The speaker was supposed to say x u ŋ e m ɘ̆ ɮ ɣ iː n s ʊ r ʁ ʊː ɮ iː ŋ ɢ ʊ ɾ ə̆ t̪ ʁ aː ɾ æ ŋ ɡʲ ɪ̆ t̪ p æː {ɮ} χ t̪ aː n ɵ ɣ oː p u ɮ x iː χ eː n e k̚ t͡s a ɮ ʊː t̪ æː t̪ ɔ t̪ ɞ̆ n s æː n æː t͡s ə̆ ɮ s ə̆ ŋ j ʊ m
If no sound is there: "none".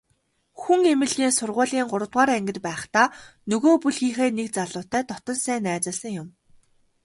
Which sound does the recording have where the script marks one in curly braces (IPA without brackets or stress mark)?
none